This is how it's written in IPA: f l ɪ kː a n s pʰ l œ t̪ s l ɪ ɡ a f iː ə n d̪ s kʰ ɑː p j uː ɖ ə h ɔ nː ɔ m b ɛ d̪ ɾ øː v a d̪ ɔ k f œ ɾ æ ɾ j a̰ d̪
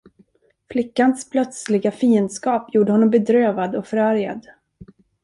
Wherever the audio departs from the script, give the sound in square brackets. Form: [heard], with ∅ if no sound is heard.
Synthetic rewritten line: f l ɪ kː a n s pʰ l œ t̪ s l ɪ ɡ a f iː ə n d̪ s [k] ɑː p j uː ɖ ə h ɔ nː ɔ m b ɛ d̪ ɾ øː v a d̪ ɔ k f œ ɾ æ ɾ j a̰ d̪